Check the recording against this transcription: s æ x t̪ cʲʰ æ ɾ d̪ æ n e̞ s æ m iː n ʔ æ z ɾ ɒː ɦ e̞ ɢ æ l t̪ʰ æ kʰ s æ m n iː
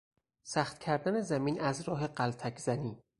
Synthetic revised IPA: s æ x t̪ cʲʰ æ ɾ d̪ æ n e̞ z æ m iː n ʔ æ z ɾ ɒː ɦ e̞ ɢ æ l t̪ʰ æ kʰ z æ n iː